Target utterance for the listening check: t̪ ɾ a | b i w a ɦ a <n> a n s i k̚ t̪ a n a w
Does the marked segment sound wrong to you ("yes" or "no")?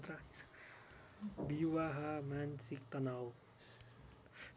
yes